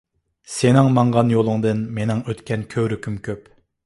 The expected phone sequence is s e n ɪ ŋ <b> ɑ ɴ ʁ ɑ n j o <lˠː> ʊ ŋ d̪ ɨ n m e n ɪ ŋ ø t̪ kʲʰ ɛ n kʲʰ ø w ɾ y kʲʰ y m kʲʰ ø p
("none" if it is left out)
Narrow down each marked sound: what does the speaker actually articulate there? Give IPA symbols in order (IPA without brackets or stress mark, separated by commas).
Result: m, lˠ